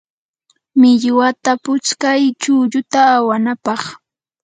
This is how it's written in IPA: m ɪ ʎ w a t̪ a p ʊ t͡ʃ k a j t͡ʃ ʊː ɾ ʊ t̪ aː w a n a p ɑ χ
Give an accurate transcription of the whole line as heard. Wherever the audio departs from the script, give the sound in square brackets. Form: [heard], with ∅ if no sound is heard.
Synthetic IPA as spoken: m ɪ ʎ w a t̪ a p ʊ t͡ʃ k a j t͡ʃ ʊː [ʎ] ʊ t̪ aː w a n a p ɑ χ